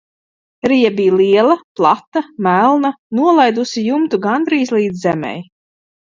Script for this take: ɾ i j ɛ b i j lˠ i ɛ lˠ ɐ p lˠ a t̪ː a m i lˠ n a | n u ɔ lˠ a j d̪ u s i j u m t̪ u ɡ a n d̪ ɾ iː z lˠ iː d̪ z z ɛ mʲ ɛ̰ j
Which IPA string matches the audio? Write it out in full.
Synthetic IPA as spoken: ɾ i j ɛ b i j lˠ i ɛ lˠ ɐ p lˠ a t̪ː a m æ lˠ n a | n u ɔ lˠ a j d̪ u s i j u m t̪ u ɡ a n d̪ ɾ iː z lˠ iː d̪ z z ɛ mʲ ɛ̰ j

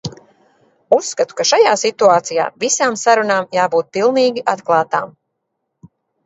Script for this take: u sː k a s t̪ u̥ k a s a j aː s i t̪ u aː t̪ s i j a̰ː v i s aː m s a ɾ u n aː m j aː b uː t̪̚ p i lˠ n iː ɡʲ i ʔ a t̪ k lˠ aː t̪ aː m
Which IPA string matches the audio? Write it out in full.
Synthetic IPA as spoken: u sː k a t̪ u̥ k a ʃ a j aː s i t̪ u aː t̪ s i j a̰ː v i s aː m s a ɾ u n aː m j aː b uː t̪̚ p i lˠ n iː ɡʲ i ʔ a t̪ k lˠ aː t̪ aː m

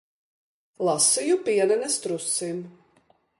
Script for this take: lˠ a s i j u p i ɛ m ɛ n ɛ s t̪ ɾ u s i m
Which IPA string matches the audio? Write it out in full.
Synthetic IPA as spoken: lˠ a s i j u p i ɛ n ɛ n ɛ s t̪ ɾ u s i m

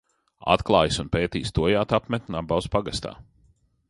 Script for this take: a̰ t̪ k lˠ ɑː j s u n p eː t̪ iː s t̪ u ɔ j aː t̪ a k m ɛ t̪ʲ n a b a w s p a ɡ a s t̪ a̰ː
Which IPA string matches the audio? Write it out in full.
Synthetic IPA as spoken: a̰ t̪ k lˠ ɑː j s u n p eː t̪ iː s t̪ u ɔ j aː t̪ a p m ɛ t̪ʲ n a b a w s p a ɡ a s t̪ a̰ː

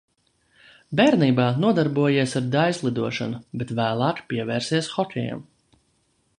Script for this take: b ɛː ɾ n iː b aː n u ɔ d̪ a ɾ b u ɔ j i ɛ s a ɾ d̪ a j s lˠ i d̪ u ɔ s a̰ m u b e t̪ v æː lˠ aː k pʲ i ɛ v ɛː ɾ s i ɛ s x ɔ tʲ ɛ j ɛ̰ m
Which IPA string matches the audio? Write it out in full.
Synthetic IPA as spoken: b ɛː ɾ n iː b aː n u ɔ d̪ a ɾ b u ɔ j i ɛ s a ɾ d̪ a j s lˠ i d̪ u ɔ ʃ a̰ n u b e t̪ v æː lˠ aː k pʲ i ɛ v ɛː ɾ s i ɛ s x ɔ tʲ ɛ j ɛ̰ m

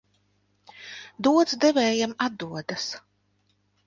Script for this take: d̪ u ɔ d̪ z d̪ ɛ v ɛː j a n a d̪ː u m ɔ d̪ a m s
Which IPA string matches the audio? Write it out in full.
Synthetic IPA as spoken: d̪ u ɔ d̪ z d̪ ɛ v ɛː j a m a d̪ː u ɔ d̪ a s

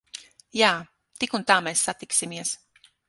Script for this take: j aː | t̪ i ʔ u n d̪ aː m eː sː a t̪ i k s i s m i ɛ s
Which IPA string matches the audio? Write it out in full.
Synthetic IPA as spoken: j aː | t̪ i k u n t̪ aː m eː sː a t̪ i k s i m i ɛ s

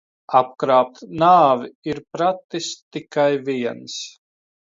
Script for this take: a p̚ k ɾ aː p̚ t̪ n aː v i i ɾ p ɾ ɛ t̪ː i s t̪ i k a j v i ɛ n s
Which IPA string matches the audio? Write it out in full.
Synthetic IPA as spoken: a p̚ k ɾ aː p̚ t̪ n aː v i i ɾ p ɾ a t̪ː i s t̪ i k a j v i ɛ n s

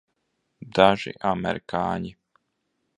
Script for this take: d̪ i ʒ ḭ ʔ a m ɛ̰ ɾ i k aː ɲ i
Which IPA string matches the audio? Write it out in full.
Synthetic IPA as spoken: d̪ a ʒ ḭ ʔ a m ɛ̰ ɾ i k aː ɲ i

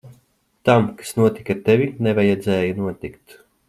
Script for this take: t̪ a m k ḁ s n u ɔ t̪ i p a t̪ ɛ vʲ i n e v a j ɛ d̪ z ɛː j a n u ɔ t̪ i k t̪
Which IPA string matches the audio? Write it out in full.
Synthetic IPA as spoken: t̪ a m k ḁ s n u ɔ t̪ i k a t̪ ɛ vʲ i n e v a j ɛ d̪ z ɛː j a n u ɔ t̪ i k t̪

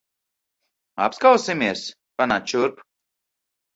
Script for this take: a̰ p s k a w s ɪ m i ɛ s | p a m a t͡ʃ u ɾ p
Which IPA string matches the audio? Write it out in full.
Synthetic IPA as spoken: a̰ p s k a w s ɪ m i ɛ s | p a n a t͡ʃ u ɾ p

